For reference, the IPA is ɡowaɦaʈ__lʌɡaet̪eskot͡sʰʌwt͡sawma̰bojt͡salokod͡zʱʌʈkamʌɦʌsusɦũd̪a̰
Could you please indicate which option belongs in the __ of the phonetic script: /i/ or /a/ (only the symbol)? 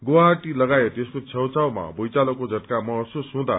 i